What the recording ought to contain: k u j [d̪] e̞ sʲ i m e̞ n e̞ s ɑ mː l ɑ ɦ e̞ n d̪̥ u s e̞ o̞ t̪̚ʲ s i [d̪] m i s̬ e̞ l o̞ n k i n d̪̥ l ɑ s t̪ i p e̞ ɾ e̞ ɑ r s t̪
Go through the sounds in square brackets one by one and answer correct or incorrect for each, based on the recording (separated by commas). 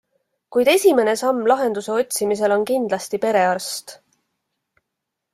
correct, incorrect